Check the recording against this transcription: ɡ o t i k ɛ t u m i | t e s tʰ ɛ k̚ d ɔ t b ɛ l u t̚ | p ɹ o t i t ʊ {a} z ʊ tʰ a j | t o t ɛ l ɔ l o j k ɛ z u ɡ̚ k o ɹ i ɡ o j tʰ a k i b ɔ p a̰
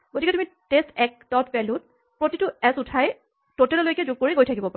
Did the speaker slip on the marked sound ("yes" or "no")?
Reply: yes